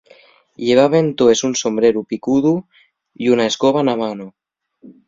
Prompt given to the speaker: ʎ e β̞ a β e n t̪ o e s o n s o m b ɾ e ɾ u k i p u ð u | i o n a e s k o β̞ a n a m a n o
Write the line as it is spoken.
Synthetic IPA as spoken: ʎ e β̞ a β e n t̪ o e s u n s o m b ɾ e ɾ u p i k u ð u | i u n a e s k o β̞ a n a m a n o